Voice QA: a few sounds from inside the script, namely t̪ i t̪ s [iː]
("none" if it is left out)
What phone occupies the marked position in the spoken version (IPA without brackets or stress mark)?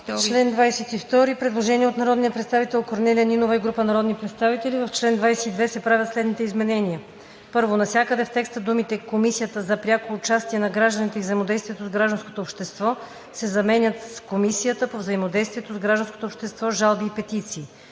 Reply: iː